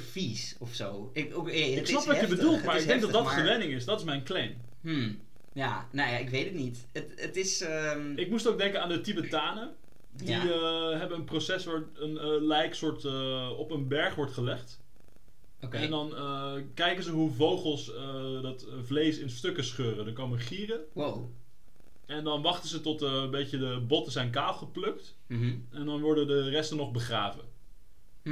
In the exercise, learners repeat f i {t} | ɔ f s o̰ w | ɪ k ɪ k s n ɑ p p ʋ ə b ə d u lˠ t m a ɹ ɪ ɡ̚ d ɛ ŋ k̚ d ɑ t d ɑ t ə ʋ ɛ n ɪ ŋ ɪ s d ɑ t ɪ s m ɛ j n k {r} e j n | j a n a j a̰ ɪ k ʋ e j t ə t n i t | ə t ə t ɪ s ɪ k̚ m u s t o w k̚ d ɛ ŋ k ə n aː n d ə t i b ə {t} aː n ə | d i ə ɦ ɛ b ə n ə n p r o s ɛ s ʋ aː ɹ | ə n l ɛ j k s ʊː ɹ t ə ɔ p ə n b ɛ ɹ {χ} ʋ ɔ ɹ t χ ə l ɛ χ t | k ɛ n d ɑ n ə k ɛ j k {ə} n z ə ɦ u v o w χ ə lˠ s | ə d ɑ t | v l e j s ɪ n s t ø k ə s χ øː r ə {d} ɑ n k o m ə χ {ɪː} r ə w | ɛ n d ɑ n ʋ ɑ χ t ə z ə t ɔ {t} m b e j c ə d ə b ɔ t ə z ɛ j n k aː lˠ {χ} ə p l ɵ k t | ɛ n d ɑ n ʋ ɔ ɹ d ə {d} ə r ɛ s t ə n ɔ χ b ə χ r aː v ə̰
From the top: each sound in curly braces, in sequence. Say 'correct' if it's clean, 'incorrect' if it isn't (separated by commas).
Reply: incorrect, incorrect, correct, correct, correct, correct, incorrect, correct, correct, correct